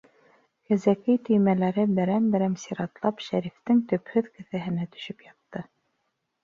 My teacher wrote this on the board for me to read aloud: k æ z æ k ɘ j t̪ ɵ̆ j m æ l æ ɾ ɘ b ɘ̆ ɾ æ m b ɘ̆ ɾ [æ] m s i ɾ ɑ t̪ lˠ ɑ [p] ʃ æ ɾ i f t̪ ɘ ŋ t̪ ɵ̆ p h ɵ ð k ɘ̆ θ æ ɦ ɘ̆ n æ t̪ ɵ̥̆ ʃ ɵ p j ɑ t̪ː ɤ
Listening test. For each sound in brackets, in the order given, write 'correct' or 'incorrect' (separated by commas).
correct, correct